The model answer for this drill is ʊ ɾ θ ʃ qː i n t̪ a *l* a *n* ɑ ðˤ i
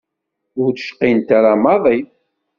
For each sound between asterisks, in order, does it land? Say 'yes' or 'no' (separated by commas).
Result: no, no